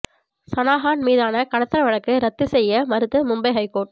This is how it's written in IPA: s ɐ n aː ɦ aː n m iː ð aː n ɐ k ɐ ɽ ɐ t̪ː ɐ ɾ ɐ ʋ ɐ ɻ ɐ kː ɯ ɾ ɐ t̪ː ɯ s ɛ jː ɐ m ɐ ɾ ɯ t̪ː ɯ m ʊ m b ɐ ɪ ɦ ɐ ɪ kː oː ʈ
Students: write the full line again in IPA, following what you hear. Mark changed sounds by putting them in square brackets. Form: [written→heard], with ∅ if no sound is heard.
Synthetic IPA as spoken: s ɐ n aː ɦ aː n m iː ð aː n ɐ k ɐ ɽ ɐ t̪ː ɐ ɾ ɐ ʋ ɐ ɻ ɐ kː ɯ ɾ ɐ t̪ː ɯ s ɛ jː ɐ m ɐ ɾ ɯ t̪ː ɯ m ʊ m b ɐ ɪ ɦ ɐ ɪ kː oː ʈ